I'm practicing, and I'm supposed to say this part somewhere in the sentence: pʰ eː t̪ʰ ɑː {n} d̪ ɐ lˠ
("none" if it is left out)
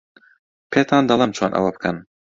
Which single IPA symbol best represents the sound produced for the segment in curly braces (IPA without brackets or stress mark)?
n